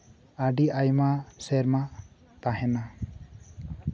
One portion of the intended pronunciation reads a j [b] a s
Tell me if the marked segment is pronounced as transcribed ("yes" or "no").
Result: no